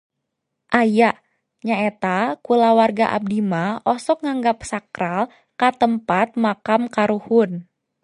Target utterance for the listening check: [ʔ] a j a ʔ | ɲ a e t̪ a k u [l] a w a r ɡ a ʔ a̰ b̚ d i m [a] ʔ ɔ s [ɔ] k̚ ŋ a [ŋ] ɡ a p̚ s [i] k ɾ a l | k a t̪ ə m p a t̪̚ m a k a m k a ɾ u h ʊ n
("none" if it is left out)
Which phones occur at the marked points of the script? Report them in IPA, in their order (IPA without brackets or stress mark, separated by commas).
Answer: ʔ, l, a, ɔ, ŋ, a